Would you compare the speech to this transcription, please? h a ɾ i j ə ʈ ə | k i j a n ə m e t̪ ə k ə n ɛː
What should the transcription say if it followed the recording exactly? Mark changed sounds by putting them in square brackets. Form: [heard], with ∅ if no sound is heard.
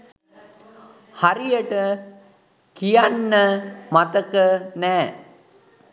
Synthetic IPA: h a ɾ i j ə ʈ ə | k i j a [nː] ə m [a] t̪ ə k ə n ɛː